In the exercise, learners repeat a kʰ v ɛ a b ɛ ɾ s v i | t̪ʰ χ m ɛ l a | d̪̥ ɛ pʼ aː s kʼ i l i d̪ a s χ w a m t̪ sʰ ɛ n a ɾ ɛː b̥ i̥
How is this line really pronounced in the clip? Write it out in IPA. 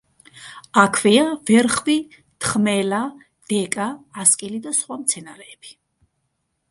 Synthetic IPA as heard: a kʰ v ɛ a v ɛ ɾ χ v i | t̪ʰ χ m ɛ l a | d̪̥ ɛ kʼ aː s kʼ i l i d̪ a s χ w a m t̪ sʰ ɛ n a ɾ ɛː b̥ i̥